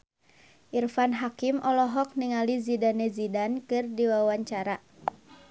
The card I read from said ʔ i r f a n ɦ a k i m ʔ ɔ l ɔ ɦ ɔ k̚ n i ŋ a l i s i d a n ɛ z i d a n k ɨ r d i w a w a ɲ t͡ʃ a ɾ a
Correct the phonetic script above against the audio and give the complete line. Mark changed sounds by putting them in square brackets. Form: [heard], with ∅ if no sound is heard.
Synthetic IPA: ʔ i r f a n ɦ a k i m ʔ ɔ l ɔ ɦ ɔ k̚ n i ŋ a l i [z] i d a n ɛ z i d a n k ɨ r d i w a w a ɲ t͡ʃ a ɾ a